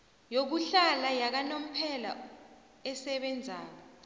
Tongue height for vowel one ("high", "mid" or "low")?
mid